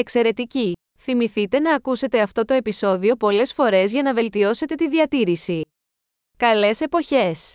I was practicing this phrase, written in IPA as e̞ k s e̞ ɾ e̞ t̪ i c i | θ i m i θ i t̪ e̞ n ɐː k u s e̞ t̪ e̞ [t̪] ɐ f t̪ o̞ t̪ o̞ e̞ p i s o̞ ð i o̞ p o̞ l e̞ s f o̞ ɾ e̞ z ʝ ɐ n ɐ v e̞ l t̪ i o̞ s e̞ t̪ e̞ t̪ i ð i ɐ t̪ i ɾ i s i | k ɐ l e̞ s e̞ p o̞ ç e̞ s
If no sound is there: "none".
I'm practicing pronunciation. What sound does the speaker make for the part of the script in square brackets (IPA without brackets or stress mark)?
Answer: none